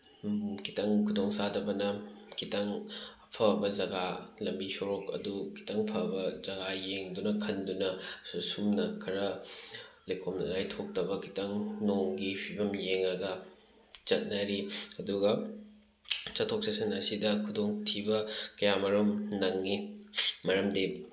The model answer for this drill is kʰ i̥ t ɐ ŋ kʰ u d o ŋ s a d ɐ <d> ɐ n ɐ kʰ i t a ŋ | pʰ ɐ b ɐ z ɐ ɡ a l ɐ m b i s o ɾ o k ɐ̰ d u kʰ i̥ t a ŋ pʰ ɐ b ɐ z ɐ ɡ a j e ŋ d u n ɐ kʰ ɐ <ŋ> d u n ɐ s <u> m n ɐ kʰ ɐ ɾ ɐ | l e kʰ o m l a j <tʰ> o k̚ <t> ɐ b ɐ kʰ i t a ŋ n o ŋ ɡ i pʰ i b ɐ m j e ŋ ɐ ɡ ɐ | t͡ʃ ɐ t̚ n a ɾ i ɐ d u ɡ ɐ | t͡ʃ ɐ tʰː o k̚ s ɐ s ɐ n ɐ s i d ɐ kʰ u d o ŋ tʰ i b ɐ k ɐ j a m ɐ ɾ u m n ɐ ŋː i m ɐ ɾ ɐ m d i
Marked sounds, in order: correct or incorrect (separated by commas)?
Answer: incorrect, incorrect, correct, correct, correct